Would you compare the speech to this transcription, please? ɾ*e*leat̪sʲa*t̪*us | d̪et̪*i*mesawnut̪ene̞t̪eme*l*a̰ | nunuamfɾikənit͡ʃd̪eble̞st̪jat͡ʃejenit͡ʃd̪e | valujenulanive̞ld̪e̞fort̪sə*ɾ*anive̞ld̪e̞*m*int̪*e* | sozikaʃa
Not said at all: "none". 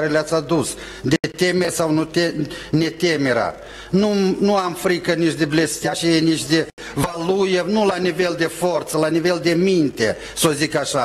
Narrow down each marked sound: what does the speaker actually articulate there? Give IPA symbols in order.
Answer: e, d̪, e, ɾ, l, m, e

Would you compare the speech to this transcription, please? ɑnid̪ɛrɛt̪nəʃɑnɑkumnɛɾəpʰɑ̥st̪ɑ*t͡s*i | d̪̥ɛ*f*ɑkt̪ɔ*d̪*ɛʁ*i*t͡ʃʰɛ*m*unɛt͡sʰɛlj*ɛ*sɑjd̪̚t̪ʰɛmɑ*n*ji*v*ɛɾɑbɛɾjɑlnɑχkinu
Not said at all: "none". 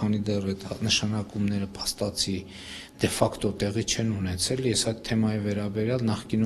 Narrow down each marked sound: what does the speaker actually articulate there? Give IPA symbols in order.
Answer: t͡sʰ, f, t̪, i, n, ɛ, none, v

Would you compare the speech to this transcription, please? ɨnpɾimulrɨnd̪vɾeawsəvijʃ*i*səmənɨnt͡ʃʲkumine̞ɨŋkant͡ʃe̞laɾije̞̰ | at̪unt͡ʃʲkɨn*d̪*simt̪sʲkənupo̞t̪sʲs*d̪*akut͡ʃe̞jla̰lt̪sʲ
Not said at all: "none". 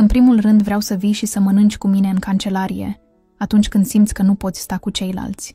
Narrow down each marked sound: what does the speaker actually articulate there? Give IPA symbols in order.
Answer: i, d̪, t̪

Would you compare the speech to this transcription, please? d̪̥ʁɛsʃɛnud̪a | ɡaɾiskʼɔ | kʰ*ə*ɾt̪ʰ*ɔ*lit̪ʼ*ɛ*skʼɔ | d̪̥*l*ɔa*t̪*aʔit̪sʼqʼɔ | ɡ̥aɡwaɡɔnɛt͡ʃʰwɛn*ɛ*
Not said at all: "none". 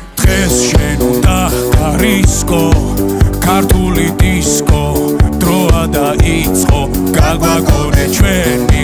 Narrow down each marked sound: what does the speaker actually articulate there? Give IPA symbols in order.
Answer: a, u, i, ɾ, d̪, i

